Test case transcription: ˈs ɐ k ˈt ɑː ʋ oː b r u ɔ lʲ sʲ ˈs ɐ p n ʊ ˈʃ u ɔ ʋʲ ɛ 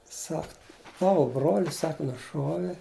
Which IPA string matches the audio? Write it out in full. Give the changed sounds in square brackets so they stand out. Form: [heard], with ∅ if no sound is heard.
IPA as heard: ˈs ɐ k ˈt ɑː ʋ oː b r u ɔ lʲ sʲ ˈs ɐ [k] n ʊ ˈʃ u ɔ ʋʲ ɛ